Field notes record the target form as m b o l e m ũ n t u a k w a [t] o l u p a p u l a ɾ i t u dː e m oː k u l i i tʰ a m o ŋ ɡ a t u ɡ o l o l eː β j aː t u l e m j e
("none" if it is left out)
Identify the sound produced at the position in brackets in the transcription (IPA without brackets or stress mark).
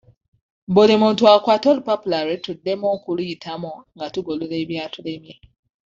t